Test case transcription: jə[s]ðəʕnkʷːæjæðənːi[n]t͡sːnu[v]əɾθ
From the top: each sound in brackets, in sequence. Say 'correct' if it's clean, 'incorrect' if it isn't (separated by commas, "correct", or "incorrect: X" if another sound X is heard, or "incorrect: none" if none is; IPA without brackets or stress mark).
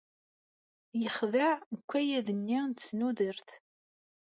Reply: incorrect: χ, correct, incorrect: ð